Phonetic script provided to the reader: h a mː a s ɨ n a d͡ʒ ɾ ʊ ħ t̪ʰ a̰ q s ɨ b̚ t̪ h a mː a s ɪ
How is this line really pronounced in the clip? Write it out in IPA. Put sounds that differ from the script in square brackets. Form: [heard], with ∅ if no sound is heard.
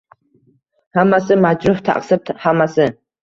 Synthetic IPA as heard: h a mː a s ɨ [m] a d͡ʒ ɾ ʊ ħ t̪ʰ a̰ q s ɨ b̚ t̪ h a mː a s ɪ